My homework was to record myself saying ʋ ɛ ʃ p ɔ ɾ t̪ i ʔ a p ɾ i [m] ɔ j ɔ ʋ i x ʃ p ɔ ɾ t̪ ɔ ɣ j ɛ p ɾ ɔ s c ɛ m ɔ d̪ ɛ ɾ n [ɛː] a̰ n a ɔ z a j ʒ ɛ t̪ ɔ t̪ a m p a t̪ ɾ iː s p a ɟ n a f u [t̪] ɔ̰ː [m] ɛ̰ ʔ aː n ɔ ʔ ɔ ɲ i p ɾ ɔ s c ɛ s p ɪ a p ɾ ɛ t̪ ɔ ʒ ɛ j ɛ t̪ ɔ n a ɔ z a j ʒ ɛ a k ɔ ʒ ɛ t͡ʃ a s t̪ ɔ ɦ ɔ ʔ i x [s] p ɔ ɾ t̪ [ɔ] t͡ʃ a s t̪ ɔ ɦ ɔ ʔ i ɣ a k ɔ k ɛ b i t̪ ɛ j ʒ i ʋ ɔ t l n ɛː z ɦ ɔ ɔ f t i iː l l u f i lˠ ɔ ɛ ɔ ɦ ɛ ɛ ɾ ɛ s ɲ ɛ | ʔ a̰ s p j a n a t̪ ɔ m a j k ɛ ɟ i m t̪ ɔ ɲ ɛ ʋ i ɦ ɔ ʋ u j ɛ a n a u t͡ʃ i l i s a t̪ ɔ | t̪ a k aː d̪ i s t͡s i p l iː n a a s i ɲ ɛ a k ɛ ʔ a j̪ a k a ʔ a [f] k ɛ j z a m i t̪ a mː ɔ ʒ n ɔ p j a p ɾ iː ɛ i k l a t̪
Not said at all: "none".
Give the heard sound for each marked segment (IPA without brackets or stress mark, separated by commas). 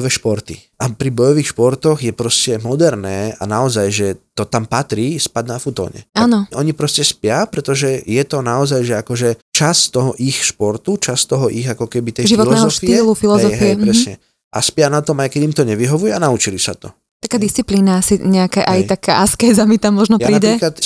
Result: b, ɛː, t̪, ɲ, ʃ, u, s